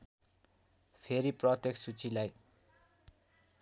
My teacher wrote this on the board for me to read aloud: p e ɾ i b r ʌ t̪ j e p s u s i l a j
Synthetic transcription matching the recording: pʰ e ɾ i p r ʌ t̪ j e k s u t͡s i l a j